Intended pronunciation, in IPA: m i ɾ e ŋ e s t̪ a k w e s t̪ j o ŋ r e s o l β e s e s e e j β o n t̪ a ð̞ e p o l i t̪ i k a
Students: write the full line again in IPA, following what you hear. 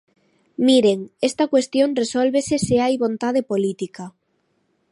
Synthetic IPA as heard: m i ɾ e ŋ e s t̪ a k w e s t̪ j o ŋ r e s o l β e s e s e a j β o n t̪ a ð̞ e p o l i t̪ i k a

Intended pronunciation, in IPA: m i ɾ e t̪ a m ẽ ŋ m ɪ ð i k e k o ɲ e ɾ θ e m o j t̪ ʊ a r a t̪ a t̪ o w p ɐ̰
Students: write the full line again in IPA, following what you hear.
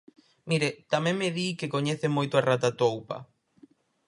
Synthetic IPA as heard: m i ɾ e t̪ a m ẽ ŋ m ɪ ð i k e k o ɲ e θ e m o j t̪ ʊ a r a t̪ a t̪ o w p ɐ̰

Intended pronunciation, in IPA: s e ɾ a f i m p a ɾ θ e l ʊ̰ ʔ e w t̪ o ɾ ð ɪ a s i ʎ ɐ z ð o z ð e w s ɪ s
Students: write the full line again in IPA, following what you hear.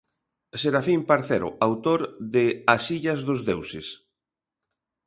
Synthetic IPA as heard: s e ɾ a f i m p a ɾ θ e ɾ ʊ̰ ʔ a w t̪ o ɾ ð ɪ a s i ʎ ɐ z ð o z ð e w s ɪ s

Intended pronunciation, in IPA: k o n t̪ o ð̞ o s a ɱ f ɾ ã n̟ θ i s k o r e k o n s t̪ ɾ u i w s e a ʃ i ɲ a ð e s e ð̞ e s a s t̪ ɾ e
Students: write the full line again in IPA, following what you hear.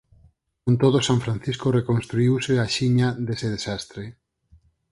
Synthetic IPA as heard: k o n t̪ o ð̞ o s a ɱ f ɾ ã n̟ θ i s k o r e k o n s t̪ ɾ u i w s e a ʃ i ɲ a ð e s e ð̞ e s a s t̪ ɾ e

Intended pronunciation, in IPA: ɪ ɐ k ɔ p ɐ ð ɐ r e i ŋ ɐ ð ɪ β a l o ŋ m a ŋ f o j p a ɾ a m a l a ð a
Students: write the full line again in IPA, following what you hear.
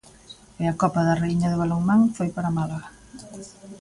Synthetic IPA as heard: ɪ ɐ k ɔ p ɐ ð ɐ r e i ɲ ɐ ð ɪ β a l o ŋ m a ŋ f o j p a ɾ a m a l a ɣ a

